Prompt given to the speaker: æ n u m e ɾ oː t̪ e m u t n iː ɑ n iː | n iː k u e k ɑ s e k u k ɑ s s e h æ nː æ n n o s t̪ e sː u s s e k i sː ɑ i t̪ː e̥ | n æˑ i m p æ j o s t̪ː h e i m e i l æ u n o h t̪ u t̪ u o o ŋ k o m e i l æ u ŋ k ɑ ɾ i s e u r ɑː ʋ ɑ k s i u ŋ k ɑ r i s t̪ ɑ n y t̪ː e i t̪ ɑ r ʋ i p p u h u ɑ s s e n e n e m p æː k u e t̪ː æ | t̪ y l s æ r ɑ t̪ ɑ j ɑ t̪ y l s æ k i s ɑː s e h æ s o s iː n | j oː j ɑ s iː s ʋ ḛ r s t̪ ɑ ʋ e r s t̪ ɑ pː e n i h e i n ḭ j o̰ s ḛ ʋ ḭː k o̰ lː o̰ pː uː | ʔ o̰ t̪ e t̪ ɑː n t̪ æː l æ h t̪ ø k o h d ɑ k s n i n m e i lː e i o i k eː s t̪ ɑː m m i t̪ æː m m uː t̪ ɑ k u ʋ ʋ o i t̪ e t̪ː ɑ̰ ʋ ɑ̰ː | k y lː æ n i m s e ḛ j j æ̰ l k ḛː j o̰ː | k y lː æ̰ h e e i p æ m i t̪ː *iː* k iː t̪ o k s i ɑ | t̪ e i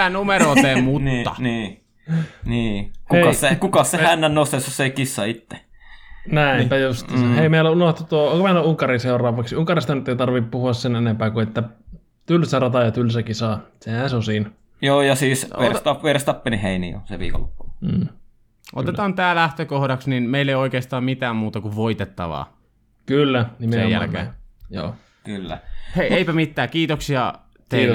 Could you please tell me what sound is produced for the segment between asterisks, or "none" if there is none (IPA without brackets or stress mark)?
æː